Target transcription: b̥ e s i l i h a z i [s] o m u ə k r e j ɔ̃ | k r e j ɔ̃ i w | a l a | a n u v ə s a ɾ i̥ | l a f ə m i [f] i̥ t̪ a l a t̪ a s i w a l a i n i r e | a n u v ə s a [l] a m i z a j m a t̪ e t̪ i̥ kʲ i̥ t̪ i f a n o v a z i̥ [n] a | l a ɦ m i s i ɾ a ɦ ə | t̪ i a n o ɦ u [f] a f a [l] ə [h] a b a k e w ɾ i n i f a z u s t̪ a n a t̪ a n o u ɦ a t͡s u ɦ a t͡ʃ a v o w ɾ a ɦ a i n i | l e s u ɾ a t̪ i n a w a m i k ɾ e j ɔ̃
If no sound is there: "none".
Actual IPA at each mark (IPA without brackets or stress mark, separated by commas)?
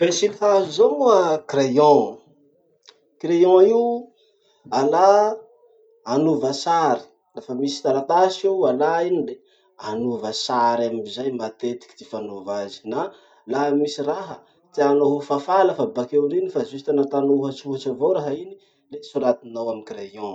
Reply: z, s, ɾ, n, f, l, f